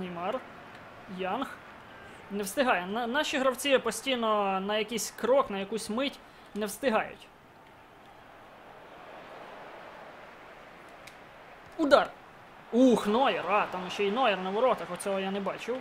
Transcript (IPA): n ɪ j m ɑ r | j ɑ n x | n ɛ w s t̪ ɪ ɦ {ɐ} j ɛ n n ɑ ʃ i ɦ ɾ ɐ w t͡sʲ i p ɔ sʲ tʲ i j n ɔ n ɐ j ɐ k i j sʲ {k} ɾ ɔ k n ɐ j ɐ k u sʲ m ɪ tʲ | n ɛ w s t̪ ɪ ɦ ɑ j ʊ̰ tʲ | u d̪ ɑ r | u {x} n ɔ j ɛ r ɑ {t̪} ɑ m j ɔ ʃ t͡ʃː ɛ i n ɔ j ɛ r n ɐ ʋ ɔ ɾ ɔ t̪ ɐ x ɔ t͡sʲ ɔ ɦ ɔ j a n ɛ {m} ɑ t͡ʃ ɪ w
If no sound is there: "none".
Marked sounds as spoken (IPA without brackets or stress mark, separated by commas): ɑ, k, x, t̪, b